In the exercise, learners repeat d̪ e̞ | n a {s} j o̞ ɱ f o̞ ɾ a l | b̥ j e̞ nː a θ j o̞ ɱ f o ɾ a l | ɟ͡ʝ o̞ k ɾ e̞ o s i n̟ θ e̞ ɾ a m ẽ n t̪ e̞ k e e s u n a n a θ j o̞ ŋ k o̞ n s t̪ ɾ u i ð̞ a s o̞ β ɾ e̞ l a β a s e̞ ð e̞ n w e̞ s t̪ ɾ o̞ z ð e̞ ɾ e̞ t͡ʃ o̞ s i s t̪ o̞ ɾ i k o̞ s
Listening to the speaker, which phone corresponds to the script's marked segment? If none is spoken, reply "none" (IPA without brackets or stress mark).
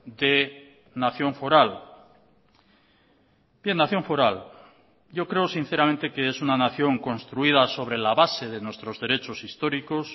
θ